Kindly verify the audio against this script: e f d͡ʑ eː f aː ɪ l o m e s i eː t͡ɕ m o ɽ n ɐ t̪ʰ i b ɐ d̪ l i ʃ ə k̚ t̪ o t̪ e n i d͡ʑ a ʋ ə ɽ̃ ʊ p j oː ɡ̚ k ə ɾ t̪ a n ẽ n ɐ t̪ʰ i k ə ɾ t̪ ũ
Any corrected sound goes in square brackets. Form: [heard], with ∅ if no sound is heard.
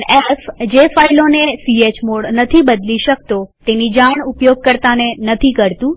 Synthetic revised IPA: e f d͡ʑ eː f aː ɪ l o [n] e s i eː t͡ɕ m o ɽ n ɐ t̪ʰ i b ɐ d̪ l i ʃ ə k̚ t̪ o t̪ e n i d͡ʑ a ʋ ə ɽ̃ ʊ p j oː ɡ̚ k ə ɾ t̪ a n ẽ n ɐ t̪ʰ i k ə ɾ t̪ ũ